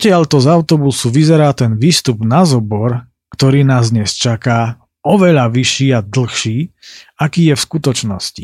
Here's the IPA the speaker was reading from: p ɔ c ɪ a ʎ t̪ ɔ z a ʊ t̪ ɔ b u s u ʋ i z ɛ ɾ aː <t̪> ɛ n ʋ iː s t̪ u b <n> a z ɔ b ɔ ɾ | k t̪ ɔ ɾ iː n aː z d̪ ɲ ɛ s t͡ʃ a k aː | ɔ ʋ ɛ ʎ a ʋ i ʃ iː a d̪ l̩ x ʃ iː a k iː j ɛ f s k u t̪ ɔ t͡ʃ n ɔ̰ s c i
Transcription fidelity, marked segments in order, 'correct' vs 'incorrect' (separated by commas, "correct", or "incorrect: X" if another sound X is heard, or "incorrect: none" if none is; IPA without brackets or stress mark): correct, correct